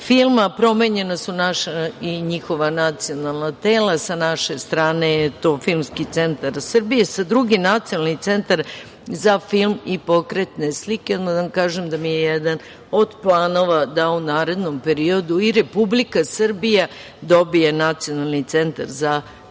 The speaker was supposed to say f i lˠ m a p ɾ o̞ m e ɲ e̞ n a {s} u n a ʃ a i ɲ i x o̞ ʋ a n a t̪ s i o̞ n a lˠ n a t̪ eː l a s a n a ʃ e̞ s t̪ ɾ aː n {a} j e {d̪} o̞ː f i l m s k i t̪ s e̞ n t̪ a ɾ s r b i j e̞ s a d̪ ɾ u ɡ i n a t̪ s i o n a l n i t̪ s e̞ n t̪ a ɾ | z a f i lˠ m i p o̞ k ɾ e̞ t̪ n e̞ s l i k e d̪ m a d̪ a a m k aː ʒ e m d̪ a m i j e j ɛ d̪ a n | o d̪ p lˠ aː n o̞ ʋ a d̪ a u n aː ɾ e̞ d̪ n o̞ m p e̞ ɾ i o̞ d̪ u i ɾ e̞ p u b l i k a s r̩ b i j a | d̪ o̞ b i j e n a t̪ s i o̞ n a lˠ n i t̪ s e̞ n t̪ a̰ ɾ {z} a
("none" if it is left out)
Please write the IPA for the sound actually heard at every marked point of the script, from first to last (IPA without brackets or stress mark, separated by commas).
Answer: s, e, t̪, z